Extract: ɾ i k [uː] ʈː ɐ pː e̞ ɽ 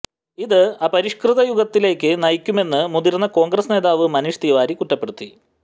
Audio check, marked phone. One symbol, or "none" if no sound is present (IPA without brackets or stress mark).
u